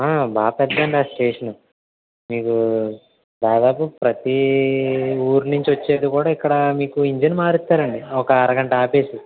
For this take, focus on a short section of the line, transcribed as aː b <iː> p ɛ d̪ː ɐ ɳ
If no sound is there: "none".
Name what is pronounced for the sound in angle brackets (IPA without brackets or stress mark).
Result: aː